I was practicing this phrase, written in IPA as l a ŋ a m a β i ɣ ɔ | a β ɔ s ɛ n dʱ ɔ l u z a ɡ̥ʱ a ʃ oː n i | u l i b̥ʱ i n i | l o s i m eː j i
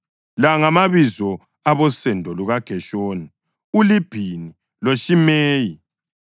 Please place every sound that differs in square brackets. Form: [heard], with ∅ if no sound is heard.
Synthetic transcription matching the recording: l a ŋ a m a β i [z] ɔ | a β ɔ s ɛ n dʱ ɔ l u [ɣ] a ɡ̥ʱ [ɛ] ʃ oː n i | u l i b̥ʱ i n i | l o [ʃ] i m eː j i

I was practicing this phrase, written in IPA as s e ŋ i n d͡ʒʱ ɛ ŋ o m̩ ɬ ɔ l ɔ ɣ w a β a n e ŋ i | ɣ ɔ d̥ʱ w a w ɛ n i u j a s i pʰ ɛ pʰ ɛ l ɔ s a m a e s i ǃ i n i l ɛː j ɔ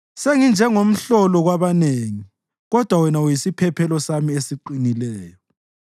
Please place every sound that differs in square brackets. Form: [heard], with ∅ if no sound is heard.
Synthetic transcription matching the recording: s e ŋ i n d͡ʒʱ ɛ ŋ o m̩ ɬ ɔ l ɔ ɣ w a β a n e ŋ i | ɣ ɔ d̥ʱ w a w ɛ n [a] u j [i] s i pʰ ɛ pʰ ɛ l ɔ s a m [i] e s i ǃ i n i l ɛː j ɔ

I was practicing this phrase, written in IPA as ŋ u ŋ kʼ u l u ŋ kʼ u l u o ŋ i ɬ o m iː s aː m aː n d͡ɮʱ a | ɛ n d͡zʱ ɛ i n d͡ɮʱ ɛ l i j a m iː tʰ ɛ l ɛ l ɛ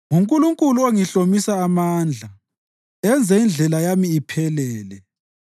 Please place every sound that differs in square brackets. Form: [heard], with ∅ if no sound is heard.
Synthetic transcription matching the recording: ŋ u ŋ kʼ u l u ŋ kʼ u l u o ŋ i ɬ o m [i] s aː m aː n d͡ɮʱ a | ɛ n d͡zʱ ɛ i n d͡ɮʱ ɛ l [a] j a m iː [pʰ] ɛ l [ɛː] l ɛ

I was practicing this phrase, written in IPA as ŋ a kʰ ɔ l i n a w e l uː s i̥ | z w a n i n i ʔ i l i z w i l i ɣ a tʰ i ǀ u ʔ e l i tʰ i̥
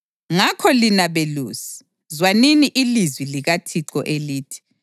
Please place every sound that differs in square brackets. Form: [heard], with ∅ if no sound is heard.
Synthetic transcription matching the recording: ŋ a kʰ ɔ l i n a [β] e l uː s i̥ | z w a n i n i ʔ i l i z w i l i ɣ a tʰ i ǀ [ɔ] ʔ e l [iː] tʰ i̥

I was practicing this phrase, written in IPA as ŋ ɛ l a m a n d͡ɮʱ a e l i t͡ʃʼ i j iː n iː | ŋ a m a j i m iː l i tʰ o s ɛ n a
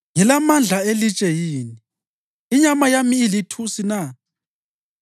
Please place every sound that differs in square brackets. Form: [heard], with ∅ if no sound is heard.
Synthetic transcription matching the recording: ŋ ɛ l a m a n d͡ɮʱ a e l i t͡ʃʼ [ɛ] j iː n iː | [ɲ] a m a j [a] m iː l i tʰ [u] s [i] n a

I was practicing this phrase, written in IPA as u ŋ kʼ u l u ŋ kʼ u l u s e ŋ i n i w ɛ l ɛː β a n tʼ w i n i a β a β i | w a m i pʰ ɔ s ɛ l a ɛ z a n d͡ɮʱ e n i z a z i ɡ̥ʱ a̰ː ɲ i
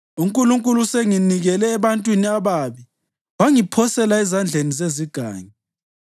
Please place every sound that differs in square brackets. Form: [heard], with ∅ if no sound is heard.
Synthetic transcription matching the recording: u ŋ kʼ u l u ŋ kʼ u l u s e ŋ i n i [ɣ] ɛ l ɛː β a n tʼ w i n i a β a β i | w a [ŋ] i pʰ ɔ s ɛ l a ɛ z a n d͡ɮʱ e n i z [e] z i ɡ̥ʱ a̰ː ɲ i

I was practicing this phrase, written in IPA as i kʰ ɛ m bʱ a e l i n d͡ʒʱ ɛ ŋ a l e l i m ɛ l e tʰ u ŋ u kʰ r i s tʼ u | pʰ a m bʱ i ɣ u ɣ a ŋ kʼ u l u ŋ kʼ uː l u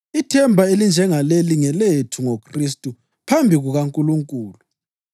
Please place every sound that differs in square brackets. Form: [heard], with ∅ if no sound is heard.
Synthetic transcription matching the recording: i [tʰ] ɛ m bʱ a e l i n d͡ʒʱ ɛ ŋ a l e l i [ŋ] ɛ l e tʰ u ŋ [o] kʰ r i s tʼ u | pʰ a m bʱ i ɣ u ɣ a ŋ kʼ u l u ŋ kʼ uː l u

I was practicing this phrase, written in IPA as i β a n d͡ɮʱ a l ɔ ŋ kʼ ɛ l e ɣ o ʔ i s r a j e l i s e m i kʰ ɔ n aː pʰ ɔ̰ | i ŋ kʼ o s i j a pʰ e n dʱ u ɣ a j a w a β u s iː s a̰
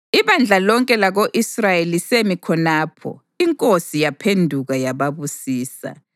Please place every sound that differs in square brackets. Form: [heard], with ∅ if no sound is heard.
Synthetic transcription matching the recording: i β a n d͡ɮʱ a l ɔ ŋ kʼ ɛ l [a] ɣ o ʔ i s r a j e l i s e m i kʰ ɔ n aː pʰ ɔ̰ | i ŋ kʼ o s i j a pʰ e n dʱ u ɣ a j a [β] a β u s iː s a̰

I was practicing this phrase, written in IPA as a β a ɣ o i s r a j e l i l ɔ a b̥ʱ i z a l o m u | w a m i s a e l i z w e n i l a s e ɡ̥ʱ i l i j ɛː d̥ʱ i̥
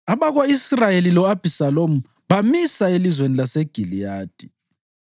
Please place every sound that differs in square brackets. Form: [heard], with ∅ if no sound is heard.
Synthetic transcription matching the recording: a β a ɣ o i s r a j e l i l ɔ a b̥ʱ i [s] a l o m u | [β] a m i s a e l i z w e n i l a s e ɡ̥ʱ i l i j [aː] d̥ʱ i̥

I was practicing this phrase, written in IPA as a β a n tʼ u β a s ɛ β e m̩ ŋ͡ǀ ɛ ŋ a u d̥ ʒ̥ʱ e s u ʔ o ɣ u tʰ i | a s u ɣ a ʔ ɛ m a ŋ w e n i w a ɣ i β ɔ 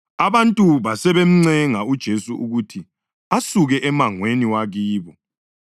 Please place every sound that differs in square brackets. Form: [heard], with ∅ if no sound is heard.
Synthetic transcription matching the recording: a β a n tʼ u β a s ɛ β e m̩ ŋ͡ǀ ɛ ŋ a u d̥ ʒ̥ʱ e s u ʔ [u] ɣ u tʰ i | a s u ɣ [ɛ] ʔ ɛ m a ŋ w e n i w a ɣ [iː] β ɔ

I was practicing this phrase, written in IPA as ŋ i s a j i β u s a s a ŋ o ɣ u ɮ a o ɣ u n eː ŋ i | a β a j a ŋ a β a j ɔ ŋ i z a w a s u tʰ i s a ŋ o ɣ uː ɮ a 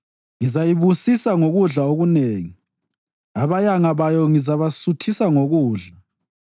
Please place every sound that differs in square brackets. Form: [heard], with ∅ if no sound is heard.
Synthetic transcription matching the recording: ŋ i [z] a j i β u s [i] s a ŋ o ɣ u ɮ a o ɣ u n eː ŋ i | a β a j a ŋ a β a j ɔ ŋ i z a [β] a s u tʰ i s a ŋ o ɣ uː ɮ a

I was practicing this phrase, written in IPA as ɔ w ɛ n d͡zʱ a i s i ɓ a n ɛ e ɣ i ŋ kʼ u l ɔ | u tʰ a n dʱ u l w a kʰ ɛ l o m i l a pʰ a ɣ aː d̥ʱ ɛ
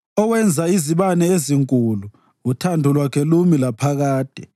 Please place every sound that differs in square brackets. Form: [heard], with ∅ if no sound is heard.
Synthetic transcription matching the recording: ɔ w ɛ n d͡zʱ a i [z] i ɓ a n ɛ e [z] i ŋ kʼ u l [u] | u tʰ a n dʱ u l w a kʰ ɛ l [u] m i l a pʰ a ɣ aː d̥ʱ ɛ

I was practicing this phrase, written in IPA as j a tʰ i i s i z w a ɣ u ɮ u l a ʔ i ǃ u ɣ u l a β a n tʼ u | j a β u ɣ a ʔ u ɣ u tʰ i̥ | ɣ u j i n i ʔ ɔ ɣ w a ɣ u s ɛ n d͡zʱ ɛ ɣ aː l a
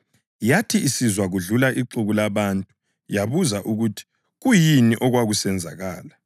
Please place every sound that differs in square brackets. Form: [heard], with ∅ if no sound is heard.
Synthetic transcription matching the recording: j a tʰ i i s i z w a ɣ u ɮ u l a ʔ i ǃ u ɣ u l a β a n tʼ u | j a β u [z] a ʔ u ɣ u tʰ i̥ | ɣ u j i n i ʔ ɔ ɣ w a ɣ u s ɛ n d͡zʱ [a] ɣ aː l a

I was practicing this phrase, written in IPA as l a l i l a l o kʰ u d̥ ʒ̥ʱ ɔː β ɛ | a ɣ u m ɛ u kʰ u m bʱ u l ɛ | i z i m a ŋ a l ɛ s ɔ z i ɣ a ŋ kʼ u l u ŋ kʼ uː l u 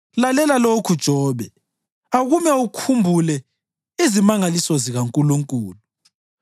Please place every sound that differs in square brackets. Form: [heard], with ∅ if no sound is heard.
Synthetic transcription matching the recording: l a l [ɛ] l a l o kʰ u d̥ ʒ̥ʱ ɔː β ɛ | a ɣ u m ɛ u kʰ u m bʱ u l ɛ | i z i m a ŋ a l [i] s ɔ z i ɣ a ŋ kʼ u l u ŋ kʼ uː l u

